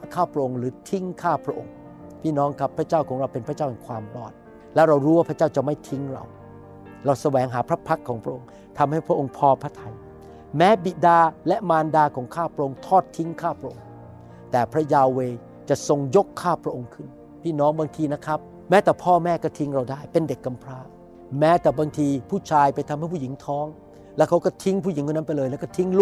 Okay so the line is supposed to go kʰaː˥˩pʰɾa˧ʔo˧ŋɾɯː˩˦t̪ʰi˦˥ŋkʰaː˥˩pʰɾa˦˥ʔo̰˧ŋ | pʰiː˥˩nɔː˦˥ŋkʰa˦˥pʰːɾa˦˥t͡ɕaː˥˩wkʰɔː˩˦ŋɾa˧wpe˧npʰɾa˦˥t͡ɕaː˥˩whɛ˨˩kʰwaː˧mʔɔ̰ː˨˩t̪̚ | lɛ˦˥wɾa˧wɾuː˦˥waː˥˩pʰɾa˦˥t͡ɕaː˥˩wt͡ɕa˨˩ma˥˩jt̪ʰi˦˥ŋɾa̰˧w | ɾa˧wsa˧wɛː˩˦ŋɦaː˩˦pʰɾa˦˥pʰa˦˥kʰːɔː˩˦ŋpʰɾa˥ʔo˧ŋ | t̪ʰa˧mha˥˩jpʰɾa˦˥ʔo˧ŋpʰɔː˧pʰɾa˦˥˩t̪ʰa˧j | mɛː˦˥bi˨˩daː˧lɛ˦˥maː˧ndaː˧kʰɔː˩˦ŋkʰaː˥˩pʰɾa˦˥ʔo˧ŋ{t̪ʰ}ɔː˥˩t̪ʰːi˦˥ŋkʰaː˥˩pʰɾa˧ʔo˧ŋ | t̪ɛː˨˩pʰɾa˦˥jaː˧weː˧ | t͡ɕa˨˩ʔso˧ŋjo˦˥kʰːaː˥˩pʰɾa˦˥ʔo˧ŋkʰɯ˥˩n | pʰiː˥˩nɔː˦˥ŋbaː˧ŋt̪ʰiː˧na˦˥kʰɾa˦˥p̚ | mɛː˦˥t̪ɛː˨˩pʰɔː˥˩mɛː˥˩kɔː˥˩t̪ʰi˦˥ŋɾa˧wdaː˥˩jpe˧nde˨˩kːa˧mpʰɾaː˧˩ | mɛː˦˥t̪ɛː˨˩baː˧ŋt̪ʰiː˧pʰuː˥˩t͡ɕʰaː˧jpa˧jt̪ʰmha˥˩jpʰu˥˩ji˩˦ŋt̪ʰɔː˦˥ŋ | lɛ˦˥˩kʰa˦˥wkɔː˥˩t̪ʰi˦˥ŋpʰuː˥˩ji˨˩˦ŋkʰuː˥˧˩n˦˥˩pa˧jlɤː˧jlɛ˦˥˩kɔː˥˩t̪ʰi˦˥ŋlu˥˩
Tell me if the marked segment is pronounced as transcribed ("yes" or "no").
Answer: yes